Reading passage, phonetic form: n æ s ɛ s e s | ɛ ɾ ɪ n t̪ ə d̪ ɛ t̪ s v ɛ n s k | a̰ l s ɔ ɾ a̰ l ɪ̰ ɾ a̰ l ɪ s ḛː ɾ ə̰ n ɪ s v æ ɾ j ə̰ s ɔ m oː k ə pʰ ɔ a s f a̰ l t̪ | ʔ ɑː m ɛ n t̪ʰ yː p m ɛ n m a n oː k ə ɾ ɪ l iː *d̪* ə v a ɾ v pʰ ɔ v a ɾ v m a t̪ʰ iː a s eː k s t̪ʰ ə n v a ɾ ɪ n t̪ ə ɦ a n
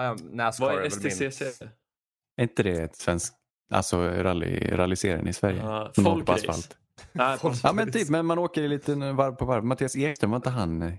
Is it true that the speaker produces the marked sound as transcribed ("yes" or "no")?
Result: no